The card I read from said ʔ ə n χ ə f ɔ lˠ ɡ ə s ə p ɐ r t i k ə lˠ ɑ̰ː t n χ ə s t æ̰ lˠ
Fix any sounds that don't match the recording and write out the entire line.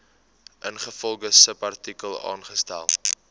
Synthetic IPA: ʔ ə n χ ə f ɔ lˠ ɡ ə s ə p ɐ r t i k ə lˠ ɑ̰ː n χ ə s t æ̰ lˠ